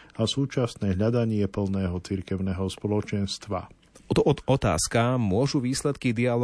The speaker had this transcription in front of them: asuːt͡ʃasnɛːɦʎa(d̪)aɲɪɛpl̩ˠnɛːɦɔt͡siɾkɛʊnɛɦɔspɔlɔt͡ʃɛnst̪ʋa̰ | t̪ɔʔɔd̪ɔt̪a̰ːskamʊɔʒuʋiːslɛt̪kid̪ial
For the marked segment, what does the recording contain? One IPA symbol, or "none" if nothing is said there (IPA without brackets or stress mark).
d̪